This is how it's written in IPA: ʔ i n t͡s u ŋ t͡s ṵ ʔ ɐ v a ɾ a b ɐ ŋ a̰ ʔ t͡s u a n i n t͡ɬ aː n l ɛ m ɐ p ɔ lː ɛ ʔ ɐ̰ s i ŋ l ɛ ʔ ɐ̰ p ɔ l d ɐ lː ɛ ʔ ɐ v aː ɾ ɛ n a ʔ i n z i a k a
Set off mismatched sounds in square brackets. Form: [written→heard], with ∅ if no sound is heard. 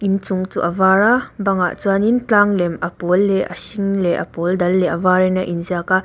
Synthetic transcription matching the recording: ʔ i n t͡s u ŋ t͡s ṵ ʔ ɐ v a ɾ a b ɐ ŋ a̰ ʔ t͡s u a n i n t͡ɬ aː [n→ŋ] l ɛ m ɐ p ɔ lː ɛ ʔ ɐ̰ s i ŋ l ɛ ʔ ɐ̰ p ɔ l d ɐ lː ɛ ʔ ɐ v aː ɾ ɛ n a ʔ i n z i a k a